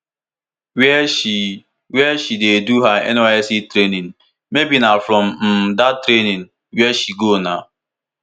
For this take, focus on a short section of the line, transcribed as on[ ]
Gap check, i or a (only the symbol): a